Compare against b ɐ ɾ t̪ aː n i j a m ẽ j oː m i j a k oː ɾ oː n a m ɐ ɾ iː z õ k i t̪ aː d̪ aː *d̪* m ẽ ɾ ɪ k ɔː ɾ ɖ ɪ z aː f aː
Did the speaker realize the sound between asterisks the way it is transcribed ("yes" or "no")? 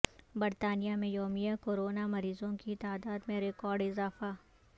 yes